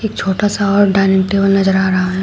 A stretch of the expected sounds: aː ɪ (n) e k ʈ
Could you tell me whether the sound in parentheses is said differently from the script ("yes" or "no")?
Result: no